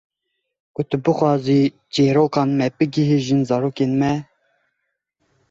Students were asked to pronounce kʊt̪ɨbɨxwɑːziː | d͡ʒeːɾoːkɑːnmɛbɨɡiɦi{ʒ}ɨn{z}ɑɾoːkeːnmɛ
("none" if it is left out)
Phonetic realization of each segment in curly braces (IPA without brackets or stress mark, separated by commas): ʒ, z